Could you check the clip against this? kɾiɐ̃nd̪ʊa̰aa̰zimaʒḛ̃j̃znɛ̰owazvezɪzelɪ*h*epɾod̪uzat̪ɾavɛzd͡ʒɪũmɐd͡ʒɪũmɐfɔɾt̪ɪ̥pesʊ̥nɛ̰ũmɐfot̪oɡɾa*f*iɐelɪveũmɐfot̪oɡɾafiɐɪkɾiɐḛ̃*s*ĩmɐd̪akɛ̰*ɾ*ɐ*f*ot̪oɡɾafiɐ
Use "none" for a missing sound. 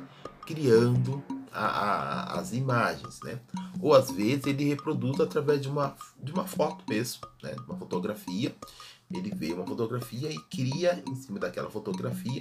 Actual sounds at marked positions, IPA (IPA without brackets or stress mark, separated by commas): h, f, s, l, f